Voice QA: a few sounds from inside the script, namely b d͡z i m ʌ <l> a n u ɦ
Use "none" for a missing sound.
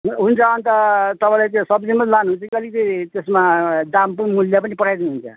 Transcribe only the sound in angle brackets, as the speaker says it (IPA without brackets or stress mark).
l